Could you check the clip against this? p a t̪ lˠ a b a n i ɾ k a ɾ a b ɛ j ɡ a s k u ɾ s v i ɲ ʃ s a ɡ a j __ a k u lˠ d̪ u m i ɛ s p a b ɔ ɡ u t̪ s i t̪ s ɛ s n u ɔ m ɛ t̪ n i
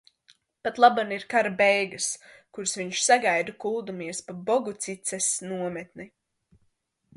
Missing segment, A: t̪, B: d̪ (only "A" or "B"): B